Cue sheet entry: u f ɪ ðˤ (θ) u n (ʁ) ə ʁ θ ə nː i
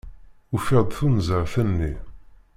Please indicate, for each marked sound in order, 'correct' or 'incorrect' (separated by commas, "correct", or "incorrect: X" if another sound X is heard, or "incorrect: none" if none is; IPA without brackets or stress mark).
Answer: correct, incorrect: z